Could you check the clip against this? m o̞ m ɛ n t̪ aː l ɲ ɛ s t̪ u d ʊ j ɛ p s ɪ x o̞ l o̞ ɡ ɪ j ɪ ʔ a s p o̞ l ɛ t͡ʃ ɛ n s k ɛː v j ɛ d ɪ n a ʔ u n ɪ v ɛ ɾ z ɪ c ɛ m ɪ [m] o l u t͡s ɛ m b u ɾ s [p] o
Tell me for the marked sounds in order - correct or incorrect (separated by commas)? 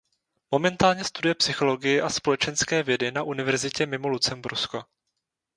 correct, incorrect